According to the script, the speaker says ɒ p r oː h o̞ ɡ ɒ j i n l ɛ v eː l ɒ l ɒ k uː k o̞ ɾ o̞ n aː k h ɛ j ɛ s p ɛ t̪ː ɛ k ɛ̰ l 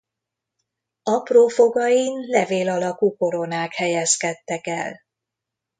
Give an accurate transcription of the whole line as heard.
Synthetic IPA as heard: ɒ p r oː f o̞ ɡ ɒ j i n l ɛ v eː l ɒ l ɒ k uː k o̞ ɾ o̞ n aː k h ɛ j ɛ s k ɛ t̪ː ɛ k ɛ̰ l